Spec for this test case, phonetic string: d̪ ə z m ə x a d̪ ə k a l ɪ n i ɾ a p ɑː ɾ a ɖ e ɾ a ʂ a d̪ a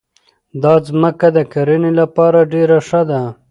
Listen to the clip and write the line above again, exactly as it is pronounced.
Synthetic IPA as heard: d̪ ɑ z m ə k a d̪ ə k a ɾ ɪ n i l a p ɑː ɾ a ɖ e ɾ a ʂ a d̪ a